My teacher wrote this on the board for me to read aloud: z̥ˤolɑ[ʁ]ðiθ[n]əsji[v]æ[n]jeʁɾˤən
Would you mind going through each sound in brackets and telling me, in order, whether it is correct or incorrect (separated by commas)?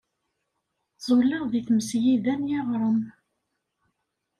correct, incorrect, incorrect, correct